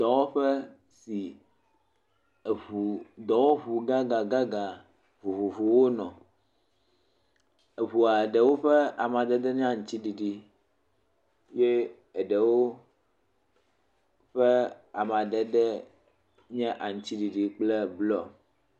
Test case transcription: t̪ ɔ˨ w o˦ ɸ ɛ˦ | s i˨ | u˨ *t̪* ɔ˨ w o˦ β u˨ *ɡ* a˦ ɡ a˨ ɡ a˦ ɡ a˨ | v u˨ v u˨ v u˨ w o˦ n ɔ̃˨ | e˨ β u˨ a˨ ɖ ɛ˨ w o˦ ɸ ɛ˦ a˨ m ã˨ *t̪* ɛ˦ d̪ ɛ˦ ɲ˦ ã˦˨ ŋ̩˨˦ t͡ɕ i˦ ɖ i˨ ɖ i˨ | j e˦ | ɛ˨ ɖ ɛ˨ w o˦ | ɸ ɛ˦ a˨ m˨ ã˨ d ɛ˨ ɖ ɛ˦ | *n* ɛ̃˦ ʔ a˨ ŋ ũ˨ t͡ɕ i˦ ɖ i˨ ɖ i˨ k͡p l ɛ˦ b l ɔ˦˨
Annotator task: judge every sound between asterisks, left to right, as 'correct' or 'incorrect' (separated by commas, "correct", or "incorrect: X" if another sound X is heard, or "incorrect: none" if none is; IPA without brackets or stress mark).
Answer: incorrect: d̪, correct, incorrect: d̪, incorrect: ɲ